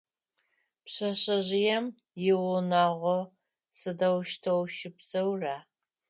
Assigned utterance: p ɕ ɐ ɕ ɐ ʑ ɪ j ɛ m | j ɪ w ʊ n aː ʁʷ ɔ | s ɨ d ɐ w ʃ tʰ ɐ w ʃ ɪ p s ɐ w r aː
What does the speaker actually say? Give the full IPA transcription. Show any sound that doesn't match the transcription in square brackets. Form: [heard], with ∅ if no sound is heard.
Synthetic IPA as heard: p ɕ ɐ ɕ ɐ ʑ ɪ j ɛ m | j ɪ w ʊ n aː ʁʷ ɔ | s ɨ d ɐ w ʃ tʰ ɐ w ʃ ɪ p s ɐ w r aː